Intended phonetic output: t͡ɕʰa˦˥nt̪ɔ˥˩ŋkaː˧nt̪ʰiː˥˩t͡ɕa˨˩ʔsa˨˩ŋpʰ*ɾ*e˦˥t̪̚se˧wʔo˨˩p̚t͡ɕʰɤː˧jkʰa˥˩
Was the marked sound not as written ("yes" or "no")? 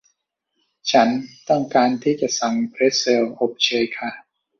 no